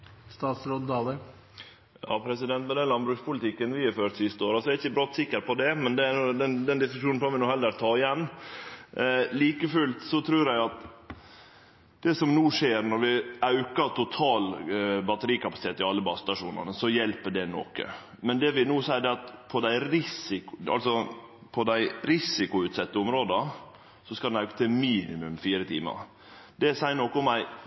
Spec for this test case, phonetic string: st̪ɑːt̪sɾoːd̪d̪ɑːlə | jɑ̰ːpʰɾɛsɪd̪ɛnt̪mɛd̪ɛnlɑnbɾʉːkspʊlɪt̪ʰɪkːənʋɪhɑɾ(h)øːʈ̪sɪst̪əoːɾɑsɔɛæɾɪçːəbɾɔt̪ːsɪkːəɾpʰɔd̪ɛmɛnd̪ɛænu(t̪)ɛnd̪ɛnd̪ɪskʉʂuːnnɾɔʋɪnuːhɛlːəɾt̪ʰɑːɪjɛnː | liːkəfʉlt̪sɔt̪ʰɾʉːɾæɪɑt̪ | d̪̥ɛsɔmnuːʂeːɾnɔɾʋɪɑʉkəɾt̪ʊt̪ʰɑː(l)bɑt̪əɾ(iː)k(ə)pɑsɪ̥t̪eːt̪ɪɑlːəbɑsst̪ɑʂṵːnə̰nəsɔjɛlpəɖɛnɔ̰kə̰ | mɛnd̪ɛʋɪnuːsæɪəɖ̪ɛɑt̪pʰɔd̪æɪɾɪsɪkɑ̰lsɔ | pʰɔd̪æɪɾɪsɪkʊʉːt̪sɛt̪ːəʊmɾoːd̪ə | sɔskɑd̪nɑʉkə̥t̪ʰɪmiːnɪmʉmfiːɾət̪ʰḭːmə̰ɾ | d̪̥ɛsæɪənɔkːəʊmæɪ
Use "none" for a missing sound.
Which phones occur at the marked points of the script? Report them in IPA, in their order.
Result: f, d̪, l, iː, ɑ

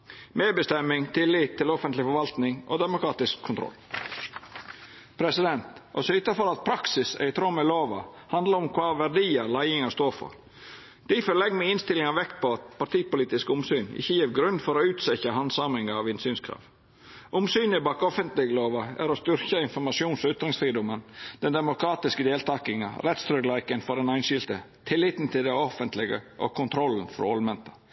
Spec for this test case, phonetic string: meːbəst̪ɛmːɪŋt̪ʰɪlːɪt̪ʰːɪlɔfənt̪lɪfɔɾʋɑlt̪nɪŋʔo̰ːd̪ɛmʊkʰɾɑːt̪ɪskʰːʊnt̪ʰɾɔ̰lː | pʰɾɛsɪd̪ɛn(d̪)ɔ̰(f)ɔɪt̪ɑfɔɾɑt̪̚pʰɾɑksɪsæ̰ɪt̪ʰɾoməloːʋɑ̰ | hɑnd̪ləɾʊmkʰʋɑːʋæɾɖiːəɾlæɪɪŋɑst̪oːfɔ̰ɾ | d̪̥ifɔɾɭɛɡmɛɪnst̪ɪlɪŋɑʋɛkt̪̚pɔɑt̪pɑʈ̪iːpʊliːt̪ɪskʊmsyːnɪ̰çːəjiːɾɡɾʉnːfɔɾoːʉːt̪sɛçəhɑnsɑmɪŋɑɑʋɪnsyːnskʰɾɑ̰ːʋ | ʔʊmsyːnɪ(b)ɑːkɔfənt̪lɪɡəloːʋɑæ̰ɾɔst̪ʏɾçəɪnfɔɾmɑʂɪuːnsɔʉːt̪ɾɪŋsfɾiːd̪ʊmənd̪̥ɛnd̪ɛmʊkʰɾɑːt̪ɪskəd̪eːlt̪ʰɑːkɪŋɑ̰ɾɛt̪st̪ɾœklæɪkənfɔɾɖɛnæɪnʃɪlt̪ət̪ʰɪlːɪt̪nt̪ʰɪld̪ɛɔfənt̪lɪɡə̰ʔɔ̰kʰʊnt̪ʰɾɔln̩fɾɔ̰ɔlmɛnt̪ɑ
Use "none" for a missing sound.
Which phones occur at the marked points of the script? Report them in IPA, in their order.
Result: t̪, s, b

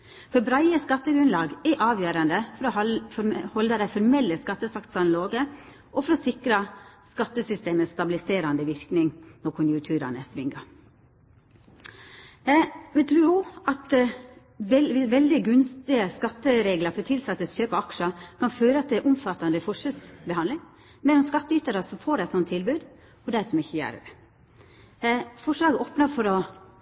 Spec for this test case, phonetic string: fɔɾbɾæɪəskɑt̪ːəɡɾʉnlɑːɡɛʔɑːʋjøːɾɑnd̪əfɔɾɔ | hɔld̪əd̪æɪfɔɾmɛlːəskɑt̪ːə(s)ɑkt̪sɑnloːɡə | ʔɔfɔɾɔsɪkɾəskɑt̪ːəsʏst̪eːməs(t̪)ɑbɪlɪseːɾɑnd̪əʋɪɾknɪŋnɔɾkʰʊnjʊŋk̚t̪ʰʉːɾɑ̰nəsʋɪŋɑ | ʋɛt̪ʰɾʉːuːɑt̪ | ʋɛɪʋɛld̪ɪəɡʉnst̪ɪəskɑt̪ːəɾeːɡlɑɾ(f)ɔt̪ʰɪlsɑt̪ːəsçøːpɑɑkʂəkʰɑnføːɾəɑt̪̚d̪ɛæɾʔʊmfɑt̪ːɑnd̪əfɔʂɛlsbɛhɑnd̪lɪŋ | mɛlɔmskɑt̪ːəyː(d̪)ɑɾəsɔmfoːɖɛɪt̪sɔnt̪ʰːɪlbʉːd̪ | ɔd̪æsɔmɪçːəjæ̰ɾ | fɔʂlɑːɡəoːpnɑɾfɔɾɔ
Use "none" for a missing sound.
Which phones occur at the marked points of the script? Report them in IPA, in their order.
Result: s, t̪, f, t̪

